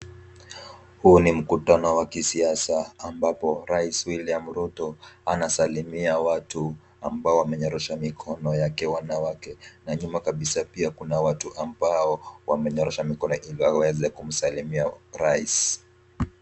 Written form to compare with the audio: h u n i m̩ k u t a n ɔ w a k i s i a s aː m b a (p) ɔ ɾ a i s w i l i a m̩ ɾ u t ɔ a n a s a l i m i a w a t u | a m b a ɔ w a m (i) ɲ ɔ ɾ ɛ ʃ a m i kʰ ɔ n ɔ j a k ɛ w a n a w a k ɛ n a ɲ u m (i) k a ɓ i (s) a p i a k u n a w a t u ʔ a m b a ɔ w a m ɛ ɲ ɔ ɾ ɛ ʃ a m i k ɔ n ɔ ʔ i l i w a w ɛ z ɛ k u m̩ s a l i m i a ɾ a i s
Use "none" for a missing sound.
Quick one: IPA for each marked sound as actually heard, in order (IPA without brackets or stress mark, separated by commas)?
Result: p, ɛ, a, s